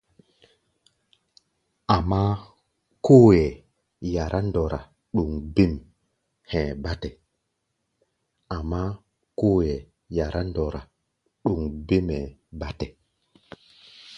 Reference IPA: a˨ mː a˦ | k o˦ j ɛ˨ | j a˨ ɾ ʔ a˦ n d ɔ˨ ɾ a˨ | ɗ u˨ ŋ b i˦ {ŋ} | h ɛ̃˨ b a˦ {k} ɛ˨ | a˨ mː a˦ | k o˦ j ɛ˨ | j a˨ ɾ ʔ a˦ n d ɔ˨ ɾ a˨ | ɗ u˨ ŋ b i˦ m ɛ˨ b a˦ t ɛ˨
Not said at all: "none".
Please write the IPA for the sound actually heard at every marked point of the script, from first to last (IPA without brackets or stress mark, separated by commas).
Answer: m, t